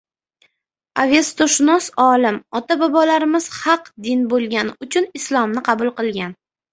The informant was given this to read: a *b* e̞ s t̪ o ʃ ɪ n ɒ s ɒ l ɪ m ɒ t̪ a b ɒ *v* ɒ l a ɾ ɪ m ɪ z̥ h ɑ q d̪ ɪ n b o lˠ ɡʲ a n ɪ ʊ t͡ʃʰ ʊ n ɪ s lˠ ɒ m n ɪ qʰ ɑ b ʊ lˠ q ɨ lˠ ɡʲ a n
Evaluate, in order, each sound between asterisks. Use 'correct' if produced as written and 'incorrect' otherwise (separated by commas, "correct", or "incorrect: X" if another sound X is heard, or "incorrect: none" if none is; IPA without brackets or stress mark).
incorrect: v, incorrect: b